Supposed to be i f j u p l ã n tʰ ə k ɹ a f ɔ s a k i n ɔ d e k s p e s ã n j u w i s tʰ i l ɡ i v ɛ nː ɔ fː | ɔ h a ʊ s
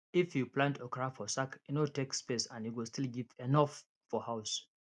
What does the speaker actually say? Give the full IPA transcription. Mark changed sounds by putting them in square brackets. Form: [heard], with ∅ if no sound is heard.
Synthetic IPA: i f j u p l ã n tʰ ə k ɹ a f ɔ s a k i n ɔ [t] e k s p e s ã n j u w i s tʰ i l ɡ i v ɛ [n] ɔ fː | ɔ h a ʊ s